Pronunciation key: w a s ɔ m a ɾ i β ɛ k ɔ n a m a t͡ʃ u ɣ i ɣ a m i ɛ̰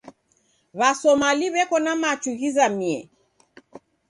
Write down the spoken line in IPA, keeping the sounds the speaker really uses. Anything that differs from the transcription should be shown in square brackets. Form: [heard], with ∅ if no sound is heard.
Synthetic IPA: [β] a s ɔ m a [l] i β ɛ k ɔ n a m a t͡ʃ u ɣ i [z] a m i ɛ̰